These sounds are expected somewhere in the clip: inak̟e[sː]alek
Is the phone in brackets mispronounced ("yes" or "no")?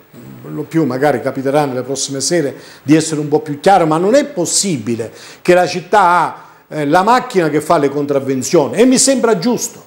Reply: yes